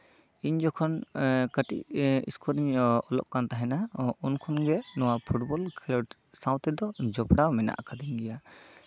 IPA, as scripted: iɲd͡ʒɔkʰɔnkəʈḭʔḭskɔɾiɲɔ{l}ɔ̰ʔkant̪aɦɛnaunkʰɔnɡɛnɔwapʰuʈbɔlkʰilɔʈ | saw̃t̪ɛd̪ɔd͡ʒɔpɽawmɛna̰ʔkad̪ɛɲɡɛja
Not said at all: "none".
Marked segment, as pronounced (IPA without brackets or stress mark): l